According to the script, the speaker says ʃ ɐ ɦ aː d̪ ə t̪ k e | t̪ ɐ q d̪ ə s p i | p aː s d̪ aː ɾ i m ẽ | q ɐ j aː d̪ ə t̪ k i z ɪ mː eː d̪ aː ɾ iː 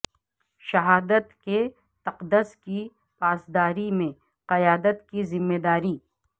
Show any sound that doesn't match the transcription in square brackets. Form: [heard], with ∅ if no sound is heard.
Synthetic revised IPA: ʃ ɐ ɦ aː d̪ ə t̪ k e | t̪ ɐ q d̪ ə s [k] i | p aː s d̪ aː ɾ i m ẽ | q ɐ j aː d̪ ə t̪ k i z ɪ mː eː d̪ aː ɾ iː